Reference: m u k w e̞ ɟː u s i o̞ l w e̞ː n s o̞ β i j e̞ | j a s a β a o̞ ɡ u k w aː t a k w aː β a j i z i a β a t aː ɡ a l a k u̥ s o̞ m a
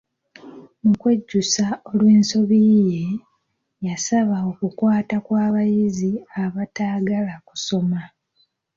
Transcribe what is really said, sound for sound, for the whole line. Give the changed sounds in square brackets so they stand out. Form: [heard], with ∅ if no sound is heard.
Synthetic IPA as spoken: m u k w e̞ ɟː u s [a] o̞ l w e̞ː n s o̞ β i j e̞ | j a s a β a o̞ [k] u k w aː t a k w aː β a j i z i a β a t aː ɡ a l a k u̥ s o̞ m a